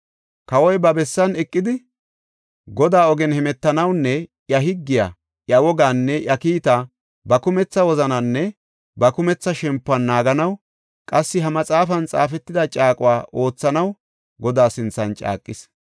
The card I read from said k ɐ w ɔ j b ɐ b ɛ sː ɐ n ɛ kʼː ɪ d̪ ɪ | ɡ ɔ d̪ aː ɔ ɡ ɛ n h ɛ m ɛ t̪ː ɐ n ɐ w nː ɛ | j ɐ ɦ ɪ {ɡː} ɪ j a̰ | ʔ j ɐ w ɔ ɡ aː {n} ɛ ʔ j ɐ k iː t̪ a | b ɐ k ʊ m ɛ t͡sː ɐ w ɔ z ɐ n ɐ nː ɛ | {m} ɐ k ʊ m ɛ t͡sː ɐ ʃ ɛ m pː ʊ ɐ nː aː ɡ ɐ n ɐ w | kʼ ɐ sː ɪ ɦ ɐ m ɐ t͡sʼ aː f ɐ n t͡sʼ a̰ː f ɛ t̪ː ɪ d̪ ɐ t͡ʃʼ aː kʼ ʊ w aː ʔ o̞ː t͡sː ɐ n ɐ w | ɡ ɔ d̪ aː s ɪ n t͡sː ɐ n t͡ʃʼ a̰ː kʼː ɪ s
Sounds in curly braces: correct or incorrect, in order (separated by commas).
correct, incorrect, incorrect